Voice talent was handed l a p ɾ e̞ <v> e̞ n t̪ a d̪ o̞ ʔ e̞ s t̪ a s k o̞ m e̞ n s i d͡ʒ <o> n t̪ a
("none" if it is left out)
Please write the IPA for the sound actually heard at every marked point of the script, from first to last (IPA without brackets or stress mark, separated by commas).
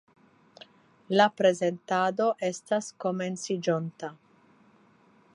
z, o